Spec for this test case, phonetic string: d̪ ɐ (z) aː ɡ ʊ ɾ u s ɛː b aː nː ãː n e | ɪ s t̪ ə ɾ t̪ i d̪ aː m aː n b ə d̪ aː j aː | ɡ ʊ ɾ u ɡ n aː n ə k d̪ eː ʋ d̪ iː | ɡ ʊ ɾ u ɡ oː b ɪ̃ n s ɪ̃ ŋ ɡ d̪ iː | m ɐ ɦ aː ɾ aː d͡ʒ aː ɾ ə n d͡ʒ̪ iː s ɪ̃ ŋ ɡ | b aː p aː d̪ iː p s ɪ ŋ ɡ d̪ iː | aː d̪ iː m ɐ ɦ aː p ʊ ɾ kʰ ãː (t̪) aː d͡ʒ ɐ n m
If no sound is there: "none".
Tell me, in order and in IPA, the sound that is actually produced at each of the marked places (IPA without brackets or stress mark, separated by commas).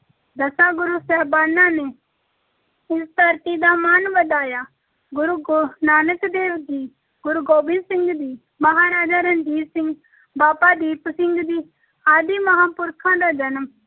s, d̪